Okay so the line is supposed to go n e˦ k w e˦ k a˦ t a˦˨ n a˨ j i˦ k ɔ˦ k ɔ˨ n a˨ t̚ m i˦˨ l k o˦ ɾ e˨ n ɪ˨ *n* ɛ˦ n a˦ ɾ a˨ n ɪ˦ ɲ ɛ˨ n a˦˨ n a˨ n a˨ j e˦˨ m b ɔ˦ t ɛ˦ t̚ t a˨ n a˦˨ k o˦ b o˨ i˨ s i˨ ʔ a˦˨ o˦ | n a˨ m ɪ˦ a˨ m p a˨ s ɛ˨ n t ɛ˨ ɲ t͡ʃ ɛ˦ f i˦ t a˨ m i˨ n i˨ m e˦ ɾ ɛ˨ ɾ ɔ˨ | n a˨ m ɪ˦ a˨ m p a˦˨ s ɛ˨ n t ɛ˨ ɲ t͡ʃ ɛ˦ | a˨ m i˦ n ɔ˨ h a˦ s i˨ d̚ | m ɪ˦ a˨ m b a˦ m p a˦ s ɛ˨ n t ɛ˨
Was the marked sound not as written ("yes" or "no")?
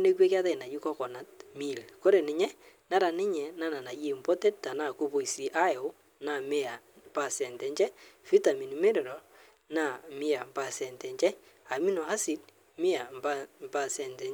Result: yes